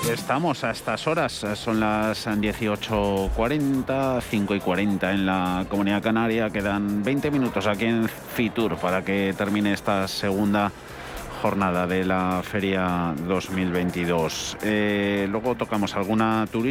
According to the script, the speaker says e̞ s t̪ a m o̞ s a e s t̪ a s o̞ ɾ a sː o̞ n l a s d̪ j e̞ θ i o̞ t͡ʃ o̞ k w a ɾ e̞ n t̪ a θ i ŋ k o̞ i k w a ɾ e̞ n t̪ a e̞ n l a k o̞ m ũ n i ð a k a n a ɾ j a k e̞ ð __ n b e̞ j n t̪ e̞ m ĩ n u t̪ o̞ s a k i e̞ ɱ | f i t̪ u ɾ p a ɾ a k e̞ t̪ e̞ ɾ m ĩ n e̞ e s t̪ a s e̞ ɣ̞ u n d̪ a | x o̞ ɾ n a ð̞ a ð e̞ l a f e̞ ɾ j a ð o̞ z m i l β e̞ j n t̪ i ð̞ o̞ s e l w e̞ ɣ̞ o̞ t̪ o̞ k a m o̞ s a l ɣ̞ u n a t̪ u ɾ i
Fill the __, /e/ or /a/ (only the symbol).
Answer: a